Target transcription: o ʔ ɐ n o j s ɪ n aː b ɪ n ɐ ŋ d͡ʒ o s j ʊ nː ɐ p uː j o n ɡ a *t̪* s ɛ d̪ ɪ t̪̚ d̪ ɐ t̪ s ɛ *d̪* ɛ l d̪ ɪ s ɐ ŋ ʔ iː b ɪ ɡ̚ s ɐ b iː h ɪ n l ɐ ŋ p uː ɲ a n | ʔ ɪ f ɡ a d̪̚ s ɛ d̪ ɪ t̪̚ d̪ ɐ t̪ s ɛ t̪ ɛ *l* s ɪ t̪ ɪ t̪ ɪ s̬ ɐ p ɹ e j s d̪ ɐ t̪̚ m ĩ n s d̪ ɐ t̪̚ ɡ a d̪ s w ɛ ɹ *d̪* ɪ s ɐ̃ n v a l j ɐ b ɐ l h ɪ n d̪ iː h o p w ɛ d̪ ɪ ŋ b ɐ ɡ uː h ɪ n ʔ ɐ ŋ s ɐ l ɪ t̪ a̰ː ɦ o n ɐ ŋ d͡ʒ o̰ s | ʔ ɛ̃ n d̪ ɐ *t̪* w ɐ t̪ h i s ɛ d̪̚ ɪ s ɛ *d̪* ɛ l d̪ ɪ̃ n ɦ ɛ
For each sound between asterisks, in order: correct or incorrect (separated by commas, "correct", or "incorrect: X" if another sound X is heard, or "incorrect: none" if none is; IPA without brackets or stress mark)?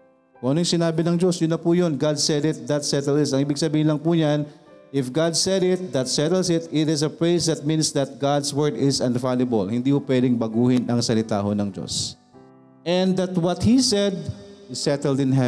incorrect: d̪, incorrect: t̪, correct, correct, correct, incorrect: t̪